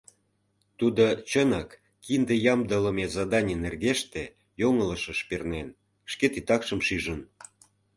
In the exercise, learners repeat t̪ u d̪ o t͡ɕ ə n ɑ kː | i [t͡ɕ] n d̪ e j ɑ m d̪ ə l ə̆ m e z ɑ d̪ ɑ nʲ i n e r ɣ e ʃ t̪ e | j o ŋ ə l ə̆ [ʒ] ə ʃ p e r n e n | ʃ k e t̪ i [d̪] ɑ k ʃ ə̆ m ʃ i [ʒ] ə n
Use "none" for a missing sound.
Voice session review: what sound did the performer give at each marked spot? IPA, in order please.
none, ʃ, t̪, ʒ

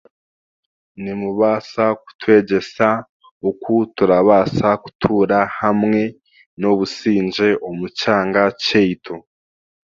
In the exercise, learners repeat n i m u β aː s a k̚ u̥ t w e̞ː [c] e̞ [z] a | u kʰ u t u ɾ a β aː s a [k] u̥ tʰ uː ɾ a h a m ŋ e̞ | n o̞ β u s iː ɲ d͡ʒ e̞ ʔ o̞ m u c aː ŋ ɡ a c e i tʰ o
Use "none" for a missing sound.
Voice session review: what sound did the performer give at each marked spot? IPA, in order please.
ɟ, s, k

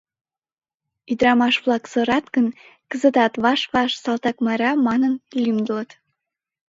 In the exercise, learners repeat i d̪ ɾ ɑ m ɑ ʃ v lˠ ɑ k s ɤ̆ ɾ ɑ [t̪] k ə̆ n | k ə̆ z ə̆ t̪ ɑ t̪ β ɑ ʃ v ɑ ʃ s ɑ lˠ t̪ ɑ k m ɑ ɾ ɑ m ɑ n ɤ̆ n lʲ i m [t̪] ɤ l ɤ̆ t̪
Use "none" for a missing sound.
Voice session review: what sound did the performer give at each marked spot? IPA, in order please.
t̪, d̪

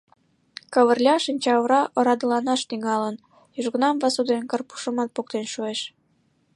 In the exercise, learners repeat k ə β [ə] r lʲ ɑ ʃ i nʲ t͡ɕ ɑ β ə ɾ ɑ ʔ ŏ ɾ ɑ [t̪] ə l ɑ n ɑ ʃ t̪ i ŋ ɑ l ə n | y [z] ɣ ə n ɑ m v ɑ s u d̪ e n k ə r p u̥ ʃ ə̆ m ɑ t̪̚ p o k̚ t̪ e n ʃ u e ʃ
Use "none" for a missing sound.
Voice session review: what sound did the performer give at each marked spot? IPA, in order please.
ə, d̪, ʒ

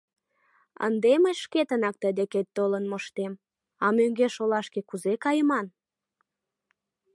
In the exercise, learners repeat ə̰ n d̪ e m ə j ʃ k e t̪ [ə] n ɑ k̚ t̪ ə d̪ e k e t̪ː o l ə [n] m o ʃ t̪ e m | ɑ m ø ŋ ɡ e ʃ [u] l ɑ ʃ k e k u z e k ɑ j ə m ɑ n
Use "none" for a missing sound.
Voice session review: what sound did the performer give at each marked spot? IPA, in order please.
ə, n, o

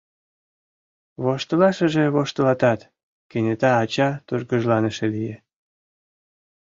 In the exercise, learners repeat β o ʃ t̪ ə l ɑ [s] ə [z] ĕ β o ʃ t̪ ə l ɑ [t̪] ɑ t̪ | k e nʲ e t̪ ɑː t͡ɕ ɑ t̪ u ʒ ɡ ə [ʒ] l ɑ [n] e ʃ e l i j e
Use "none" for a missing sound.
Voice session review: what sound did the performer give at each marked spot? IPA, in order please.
ʃ, ʒ, t̪, ʒ, n

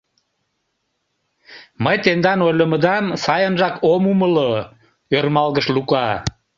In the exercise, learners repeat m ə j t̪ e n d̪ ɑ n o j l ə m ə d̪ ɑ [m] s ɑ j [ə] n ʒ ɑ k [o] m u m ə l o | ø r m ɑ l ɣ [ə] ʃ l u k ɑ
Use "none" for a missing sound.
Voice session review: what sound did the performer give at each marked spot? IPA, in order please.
m, ə, o, ə

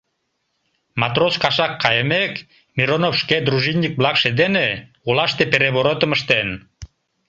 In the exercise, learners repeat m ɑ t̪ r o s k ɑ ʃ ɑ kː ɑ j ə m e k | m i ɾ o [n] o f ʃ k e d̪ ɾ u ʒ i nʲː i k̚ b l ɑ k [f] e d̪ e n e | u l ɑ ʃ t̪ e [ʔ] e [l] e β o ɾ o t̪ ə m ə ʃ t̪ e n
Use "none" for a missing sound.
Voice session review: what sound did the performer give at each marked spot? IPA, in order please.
n, ʃ, p, ɾ

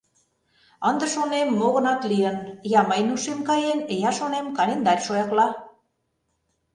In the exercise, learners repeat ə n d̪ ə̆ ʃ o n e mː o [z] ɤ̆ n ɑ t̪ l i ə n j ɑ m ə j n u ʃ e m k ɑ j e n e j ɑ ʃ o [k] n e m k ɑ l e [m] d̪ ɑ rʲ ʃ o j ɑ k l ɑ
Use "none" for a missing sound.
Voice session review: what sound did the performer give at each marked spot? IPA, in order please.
ɣ, none, n

